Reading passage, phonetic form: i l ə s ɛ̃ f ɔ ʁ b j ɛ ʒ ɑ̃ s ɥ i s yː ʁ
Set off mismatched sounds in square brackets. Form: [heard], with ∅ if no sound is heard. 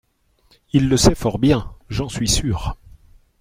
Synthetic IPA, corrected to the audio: i [lː] ə s [ɛ] f ɔ ʁ b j [ɛ̃] ʒ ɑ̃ s ɥ i s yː ʁ